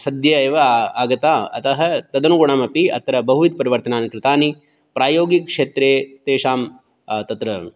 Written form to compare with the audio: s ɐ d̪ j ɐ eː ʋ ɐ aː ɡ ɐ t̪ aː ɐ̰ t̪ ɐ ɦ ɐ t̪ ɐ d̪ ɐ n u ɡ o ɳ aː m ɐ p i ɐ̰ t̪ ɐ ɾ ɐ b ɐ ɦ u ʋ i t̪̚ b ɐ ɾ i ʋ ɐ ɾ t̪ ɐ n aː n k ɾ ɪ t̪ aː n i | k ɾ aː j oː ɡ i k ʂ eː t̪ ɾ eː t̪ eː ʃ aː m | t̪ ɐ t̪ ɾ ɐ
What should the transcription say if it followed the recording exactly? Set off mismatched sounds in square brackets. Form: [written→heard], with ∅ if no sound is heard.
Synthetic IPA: s ɐ d̪ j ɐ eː ʋ ɐ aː ɡ ɐ t̪ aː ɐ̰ t̪ ɐ ɦ ɐ t̪ ɐ d̪ ɐ n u ɡ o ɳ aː m ɐ p i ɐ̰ t̪ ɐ ɾ ɐ b ɐ ɦ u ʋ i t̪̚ [b→p] ɐ ɾ i ʋ ɐ ɾ t̪ ɐ n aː n k ɾ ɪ t̪ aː n i | [k→p] ɾ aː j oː ɡ i k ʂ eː t̪ ɾ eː t̪ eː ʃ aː m | t̪ ɐ t̪ ɾ ɐ